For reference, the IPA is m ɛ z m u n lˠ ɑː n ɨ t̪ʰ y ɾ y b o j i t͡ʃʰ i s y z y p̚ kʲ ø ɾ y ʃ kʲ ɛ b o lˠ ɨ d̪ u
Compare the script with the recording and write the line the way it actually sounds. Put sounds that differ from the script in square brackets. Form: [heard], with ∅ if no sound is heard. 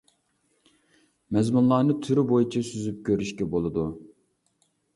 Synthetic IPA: m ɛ z m u n lˠ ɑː n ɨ t̪ʰ y ɾ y b o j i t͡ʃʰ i s y z y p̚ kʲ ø ɾ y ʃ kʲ ɛ b o lˠ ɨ d̪ u